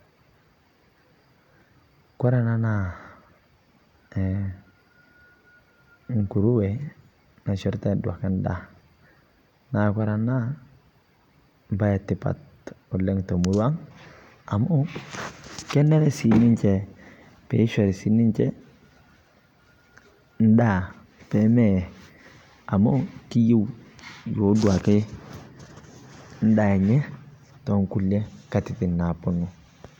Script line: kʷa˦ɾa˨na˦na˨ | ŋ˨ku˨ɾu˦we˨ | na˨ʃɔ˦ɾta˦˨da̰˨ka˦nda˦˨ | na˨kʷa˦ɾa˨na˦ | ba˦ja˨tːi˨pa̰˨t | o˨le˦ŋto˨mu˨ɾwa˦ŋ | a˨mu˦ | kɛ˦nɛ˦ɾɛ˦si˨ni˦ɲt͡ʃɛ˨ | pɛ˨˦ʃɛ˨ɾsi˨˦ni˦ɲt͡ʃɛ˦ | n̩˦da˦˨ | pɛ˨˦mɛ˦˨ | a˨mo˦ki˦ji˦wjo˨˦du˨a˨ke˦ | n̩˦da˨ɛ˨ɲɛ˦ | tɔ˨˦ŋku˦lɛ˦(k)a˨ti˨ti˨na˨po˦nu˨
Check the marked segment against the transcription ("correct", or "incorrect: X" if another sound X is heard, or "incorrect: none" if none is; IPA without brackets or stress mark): correct